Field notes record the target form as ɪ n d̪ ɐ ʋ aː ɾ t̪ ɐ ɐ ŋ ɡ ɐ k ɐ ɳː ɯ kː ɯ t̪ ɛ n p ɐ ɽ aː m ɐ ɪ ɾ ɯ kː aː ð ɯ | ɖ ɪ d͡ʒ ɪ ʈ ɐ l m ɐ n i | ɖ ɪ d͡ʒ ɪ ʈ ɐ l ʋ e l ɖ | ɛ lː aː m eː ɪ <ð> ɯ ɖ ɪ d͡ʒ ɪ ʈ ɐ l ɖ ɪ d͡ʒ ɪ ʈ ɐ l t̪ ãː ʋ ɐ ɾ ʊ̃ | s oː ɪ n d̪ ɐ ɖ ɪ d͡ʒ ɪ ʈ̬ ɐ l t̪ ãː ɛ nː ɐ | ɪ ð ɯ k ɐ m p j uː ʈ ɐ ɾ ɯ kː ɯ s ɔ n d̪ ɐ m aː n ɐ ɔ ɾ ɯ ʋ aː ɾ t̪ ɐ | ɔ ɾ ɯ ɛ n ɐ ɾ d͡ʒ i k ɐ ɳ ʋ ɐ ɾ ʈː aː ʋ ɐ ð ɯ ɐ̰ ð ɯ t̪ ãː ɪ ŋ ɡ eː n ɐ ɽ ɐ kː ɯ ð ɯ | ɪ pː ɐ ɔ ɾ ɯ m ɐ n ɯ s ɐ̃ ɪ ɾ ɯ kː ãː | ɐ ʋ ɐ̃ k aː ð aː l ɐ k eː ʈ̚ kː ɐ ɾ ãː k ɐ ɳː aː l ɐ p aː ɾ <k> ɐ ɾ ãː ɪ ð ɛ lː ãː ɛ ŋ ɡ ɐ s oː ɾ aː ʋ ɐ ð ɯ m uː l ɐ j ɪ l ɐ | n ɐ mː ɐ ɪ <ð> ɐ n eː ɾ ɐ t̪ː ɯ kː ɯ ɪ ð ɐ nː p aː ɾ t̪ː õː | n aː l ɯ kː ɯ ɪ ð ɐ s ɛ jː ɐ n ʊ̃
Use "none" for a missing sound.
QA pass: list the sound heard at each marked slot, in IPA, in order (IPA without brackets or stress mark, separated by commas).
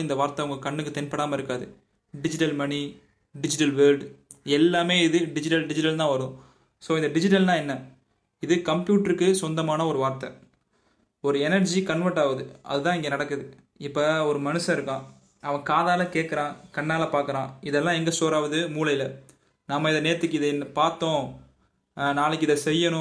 ð, k, ð